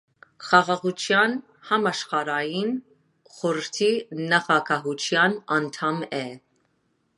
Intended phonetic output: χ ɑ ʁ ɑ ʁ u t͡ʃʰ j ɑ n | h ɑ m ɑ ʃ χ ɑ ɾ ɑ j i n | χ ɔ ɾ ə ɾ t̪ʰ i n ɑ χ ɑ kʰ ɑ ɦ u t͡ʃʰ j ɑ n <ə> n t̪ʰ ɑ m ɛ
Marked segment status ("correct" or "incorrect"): incorrect